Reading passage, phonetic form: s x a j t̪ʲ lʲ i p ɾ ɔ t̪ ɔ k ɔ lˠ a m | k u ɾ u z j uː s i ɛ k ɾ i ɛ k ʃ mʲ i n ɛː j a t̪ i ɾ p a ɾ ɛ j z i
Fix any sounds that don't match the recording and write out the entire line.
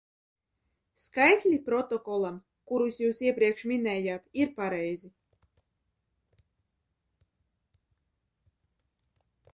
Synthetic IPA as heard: s k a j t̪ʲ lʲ i p ɾ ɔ t̪ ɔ k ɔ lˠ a m | k u ɾ u s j uː s i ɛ p ɾ i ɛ k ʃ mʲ i n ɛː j a t̪ i ɾ p a ɾ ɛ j z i